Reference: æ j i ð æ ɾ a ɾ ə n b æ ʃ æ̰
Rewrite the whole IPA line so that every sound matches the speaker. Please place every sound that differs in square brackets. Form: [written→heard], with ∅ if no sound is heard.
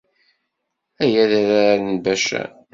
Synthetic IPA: æ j [i→æ] ð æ ɾ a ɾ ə n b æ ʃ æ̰